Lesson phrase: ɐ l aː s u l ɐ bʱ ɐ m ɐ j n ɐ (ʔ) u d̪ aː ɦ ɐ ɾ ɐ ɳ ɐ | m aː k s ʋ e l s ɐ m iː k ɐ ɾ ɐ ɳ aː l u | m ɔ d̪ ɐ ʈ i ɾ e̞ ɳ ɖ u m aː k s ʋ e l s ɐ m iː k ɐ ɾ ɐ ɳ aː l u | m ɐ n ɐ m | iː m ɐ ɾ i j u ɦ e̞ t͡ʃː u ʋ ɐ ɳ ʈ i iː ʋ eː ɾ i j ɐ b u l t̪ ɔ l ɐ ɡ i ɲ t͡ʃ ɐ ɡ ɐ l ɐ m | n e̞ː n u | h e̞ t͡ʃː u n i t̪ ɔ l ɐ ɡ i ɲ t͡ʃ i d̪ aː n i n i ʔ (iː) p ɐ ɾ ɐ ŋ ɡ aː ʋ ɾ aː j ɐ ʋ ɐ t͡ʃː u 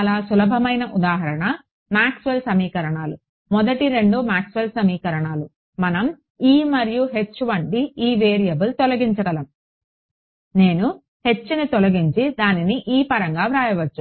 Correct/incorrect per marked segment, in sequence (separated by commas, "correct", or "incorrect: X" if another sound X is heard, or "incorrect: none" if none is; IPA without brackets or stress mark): correct, correct